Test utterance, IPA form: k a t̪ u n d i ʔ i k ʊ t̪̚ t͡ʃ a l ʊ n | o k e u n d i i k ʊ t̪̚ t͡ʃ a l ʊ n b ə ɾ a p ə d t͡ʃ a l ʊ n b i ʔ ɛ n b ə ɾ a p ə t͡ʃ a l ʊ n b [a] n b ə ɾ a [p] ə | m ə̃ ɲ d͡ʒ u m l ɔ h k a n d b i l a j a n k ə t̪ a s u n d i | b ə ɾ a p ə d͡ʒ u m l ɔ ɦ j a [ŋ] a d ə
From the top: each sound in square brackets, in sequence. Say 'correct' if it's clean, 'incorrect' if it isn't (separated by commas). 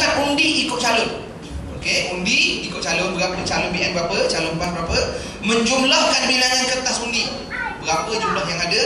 correct, correct, correct